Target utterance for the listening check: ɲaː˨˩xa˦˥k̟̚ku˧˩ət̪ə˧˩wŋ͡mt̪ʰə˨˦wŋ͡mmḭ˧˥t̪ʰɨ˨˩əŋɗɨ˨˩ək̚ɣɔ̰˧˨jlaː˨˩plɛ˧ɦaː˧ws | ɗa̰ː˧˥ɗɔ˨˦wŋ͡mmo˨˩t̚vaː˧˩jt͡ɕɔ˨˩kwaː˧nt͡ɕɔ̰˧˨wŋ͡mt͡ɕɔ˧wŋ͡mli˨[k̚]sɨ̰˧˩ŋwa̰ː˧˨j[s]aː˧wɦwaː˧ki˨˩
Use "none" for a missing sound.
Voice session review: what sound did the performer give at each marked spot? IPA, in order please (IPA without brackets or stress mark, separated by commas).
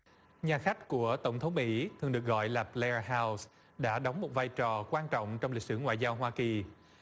k̚, z